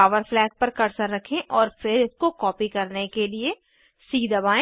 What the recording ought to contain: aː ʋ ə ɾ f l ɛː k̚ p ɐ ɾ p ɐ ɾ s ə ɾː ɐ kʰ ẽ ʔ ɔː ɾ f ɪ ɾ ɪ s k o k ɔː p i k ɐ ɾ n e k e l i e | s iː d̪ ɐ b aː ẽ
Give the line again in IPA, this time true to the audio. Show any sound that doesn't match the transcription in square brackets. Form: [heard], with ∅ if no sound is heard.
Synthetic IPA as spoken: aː ʋ ə ɾ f l ɛː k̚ p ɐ ɾ [k] ɐ ɾ s ə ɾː ɐ kʰ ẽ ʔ ɔː ɾ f ɪ ɾ ɪ s k o k ɔː p i k ɐ ɾ n e k e l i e | s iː d̪ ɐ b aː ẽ

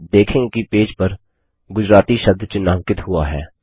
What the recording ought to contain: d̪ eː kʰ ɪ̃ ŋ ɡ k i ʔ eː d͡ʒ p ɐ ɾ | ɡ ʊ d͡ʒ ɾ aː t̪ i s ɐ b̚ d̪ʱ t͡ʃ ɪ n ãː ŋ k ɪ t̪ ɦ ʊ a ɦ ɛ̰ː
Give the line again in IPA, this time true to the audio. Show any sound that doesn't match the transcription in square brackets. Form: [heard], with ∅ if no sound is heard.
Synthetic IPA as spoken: d̪ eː kʰ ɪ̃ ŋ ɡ k i [p] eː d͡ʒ p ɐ ɾ | ɡ ʊ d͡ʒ ɾ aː t̪ i [ʃ] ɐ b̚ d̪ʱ t͡ʃ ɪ n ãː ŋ k ɪ t̪ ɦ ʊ a ɦ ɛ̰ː

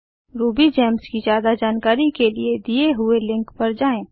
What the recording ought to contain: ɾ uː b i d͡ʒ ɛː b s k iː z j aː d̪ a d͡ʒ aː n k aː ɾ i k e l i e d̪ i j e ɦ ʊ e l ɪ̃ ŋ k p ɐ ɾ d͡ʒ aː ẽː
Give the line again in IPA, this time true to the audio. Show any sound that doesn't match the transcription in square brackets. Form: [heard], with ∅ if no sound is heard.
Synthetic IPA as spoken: ɾ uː b i d͡ʒ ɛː [m] s k [i] z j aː d̪ a d͡ʒ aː n k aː ɾ i k e l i e d̪ i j e ɦ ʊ e l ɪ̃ ŋ k p ɐ ɾ d͡ʒ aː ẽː

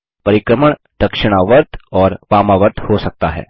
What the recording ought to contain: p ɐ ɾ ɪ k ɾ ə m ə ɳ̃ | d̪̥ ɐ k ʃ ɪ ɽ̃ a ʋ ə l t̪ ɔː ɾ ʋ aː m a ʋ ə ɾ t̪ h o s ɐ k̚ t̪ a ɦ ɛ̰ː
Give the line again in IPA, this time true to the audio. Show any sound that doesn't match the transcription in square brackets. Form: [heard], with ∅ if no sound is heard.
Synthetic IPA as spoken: p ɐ ɾ ɪ k ɾ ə m ə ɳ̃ | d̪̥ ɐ k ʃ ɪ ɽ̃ a ʋ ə [ɾ] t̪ ɔː ɾ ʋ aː m a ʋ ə ɾ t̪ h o s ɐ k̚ t̪ a ɦ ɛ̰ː

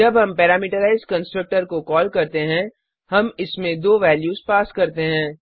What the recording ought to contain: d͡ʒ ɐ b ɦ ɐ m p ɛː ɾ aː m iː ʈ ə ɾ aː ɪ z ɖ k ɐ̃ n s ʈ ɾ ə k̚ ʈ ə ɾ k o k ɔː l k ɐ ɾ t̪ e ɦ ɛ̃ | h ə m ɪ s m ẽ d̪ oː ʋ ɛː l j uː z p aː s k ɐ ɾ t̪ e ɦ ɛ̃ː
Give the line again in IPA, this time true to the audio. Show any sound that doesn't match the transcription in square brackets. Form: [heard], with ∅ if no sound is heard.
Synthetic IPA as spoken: d͡ʒ ɐ b ɦ ɐ m p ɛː ɾ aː m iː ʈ ə ɾ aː ɪ z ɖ k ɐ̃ n s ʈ ɾ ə k̚ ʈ ə ɾ k o k ɔː l k ɐ ɾ t̪ e ɦ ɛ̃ | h [ɐ] m ɪ s m ẽ d̪ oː ʋ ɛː l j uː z p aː s k ɐ ɾ t̪ e ɦ ɛ̃ː

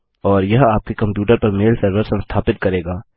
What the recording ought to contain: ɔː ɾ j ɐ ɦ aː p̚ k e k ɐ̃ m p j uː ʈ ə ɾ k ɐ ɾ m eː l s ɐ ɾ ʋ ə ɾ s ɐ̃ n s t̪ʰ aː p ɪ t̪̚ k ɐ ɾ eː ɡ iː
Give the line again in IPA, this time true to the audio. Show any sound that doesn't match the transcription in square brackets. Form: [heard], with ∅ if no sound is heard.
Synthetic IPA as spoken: ɔː ɾ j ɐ ɦ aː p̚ k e k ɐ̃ m p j uː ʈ ə ɾ [p] ɐ ɾ m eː l s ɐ ɾ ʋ ə ɾ s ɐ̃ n s t̪ʰ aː p ɪ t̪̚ k ɐ ɾ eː ɡ [aː]

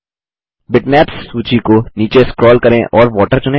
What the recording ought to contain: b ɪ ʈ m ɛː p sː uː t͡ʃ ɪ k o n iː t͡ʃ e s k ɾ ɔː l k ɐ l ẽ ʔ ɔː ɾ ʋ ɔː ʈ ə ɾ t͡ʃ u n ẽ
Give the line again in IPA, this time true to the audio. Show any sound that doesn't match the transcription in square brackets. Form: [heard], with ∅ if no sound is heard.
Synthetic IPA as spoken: b ɪ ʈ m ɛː p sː uː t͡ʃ [i] k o n iː t͡ʃ e s k ɾ ɔː l k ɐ [ɾ] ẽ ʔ ɔː ɾ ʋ ɔː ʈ ə ɾ t͡ʃ [ʊ] n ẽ

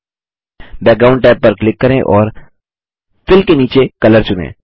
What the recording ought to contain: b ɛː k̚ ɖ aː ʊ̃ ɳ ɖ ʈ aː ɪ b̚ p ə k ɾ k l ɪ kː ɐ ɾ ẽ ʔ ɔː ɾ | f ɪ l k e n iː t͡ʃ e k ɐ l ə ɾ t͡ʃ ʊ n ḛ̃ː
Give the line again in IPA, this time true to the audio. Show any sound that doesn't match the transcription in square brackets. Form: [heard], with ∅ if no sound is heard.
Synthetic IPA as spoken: b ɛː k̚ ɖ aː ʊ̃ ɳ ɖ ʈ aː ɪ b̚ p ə [∅] ɾ k l ɪ kː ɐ ɾ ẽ ʔ ɔː ɾ | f ɪ l k e n iː t͡ʃ e k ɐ l ə ɾ t͡ʃ ʊ n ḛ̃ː

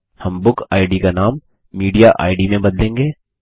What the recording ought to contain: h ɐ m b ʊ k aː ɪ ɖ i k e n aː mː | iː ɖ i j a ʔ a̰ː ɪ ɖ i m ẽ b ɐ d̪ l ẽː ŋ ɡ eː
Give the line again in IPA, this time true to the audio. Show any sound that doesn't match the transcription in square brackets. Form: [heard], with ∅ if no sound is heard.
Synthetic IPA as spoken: h ɐ m b ʊ k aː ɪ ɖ i k [a] n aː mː | iː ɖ i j a ʔ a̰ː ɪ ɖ i m ẽ b ɐ d̪ l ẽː ŋ ɡ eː

